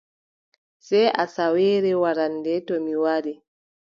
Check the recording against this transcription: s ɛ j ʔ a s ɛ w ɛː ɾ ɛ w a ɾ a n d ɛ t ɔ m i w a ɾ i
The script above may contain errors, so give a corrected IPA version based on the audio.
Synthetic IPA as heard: s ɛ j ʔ a s a w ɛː ɾ ɛ w a ɾ a n d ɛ t ɔ m i w a ɾ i